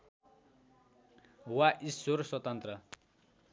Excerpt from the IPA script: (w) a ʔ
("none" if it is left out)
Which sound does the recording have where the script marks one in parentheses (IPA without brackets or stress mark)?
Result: w